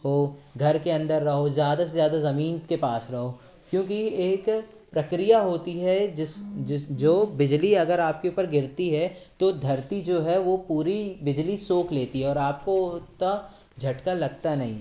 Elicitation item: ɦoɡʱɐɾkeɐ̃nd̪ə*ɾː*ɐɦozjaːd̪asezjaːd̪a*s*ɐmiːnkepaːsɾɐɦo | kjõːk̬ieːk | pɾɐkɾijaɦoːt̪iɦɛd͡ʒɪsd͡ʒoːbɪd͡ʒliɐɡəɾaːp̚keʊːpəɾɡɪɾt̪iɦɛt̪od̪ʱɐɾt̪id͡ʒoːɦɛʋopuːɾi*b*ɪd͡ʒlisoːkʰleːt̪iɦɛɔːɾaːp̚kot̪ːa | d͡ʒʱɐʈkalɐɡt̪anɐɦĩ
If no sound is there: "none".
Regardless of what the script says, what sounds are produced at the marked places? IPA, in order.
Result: ɾː, z, b

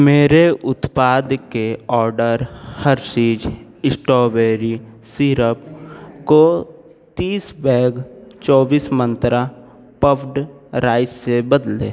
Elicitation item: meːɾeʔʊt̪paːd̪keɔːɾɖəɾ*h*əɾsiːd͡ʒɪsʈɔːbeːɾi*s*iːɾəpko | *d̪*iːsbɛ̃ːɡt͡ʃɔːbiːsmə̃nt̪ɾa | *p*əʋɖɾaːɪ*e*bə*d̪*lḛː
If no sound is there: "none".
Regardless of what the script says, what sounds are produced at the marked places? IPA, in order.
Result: h, s, t̪, p, e, d̪

